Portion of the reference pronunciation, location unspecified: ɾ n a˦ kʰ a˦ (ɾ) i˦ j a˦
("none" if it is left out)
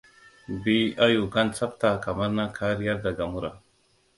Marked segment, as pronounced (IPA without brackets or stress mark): ɾ